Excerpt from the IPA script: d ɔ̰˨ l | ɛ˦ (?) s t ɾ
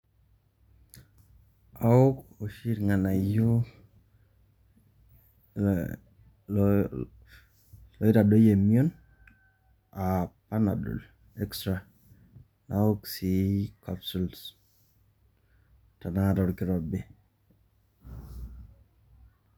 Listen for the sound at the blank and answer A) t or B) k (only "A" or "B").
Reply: B